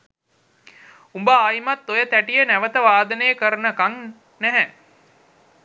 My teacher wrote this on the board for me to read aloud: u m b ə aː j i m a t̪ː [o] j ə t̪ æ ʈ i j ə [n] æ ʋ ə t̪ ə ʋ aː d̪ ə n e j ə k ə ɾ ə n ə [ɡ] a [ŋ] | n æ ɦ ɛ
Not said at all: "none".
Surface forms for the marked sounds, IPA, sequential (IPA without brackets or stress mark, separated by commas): o, n, k, ŋ